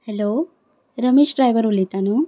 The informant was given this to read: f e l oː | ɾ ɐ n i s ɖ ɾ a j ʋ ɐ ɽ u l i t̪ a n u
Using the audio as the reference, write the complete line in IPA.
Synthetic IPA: h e l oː | ɾ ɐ m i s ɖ ɾ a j ʋ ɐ ɾ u l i t̪ a n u